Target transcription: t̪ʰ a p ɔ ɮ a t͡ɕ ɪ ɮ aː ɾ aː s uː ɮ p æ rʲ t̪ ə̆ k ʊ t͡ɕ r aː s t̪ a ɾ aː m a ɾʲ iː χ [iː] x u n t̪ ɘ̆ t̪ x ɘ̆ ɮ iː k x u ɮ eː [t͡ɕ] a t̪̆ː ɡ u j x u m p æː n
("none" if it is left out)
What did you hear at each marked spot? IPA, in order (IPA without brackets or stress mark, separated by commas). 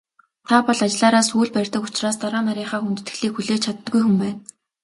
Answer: aː, t͡ɕʰ